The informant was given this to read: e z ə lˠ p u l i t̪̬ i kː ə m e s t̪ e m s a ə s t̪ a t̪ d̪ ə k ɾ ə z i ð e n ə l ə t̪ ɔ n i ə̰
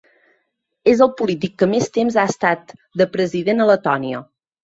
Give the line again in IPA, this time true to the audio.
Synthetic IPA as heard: e z ə lˠ p u l i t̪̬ i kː ə m e s t̪ e m z a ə s t̪ a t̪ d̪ ə p ɾ ə z i ð e n ə l ə t̪ ɔ n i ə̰